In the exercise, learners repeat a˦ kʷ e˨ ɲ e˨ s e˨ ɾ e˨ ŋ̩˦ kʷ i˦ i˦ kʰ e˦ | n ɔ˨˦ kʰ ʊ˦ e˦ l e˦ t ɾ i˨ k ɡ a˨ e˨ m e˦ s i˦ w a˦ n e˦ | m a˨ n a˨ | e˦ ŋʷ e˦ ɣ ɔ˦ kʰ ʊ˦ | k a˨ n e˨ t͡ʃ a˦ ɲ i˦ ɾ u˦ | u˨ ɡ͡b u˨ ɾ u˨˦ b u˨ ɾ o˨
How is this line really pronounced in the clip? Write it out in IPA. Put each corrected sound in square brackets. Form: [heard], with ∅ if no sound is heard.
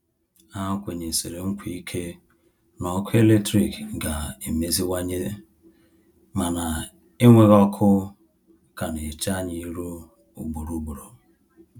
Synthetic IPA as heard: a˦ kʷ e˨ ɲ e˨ s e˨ ɾ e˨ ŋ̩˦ kʷ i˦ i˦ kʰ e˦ | n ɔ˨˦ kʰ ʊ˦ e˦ l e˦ t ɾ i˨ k ɡ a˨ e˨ m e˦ [z] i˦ w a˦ [ɲ] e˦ | m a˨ n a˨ | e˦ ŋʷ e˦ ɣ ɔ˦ kʰ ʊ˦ | k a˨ n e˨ t͡ʃ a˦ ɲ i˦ ɾ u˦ | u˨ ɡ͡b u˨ ɾ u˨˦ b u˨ ɾ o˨